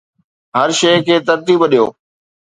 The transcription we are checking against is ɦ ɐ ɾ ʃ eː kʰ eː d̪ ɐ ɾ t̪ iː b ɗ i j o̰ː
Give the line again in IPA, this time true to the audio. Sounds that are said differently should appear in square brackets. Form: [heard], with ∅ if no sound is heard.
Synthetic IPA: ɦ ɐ ɾ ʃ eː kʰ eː [t̪] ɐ ɾ t̪ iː b ɗ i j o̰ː